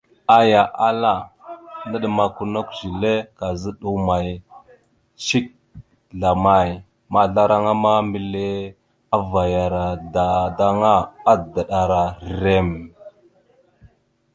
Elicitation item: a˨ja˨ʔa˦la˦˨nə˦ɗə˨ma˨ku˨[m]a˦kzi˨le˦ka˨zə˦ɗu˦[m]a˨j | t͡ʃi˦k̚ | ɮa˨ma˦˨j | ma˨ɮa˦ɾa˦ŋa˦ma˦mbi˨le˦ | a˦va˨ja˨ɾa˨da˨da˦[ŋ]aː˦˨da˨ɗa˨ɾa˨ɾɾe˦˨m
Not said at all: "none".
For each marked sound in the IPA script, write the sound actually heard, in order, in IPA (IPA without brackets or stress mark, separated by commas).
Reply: n, m, ŋ